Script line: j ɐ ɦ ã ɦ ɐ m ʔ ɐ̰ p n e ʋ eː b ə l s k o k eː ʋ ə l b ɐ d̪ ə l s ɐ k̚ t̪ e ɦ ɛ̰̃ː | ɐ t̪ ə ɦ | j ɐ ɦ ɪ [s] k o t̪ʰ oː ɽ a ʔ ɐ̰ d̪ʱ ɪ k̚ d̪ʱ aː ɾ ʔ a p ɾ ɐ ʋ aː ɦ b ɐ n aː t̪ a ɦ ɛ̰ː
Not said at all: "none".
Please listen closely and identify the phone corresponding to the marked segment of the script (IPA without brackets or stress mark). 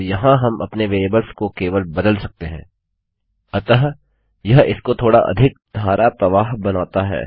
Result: s